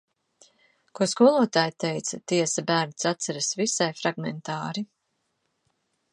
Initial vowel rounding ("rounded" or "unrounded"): rounded